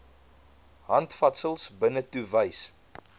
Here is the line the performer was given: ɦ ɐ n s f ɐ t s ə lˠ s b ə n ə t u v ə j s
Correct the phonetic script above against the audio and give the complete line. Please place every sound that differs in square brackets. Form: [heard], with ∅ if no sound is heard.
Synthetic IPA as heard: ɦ ɐ n [t] f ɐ t s ə lˠ s b ə n ə t u v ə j s